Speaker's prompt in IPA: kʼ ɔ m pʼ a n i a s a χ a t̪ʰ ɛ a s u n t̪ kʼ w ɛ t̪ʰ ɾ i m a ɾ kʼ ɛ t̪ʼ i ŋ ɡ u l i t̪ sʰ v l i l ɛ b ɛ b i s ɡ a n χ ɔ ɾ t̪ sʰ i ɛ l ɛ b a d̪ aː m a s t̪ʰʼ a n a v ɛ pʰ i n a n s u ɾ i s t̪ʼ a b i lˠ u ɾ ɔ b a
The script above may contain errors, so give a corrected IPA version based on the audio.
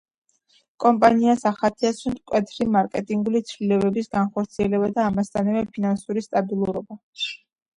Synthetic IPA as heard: kʼ ɔ m pʼ a n i a s a χ a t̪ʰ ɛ a s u n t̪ kʼ w ɛ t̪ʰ ɾ i m a ɾ kʼ ɛ t̪ʼ i ŋ ɡ u l i t̪ sʰ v l i l ɛ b ɛ b i s ɡ a n χ ɔ ɾ t̪ sʰ i ɛ l ɛ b a d̪ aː m a s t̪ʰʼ a n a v ɛ pʰ i n a n s u ɾ i s t̪ʼ a b i lˠ u ɾ ɔ b a